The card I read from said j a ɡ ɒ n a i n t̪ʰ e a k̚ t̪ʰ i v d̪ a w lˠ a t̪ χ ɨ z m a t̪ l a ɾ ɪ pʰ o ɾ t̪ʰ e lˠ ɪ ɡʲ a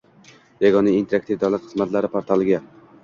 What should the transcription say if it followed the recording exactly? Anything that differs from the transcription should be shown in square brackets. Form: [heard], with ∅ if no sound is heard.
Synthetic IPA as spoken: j a ɡ ɒ n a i n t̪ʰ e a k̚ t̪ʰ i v d̪ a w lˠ a t̪ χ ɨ z m a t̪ l a ɾ ɪ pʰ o ɾ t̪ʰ [a] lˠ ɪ ɡʲ a